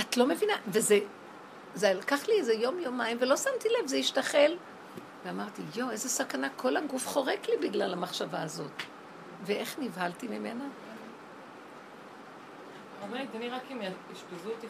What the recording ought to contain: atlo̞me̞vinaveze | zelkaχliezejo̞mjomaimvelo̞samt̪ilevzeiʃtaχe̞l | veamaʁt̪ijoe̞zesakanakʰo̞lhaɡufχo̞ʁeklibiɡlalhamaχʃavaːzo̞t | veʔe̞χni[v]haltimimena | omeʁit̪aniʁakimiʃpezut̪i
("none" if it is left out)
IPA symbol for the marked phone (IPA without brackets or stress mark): v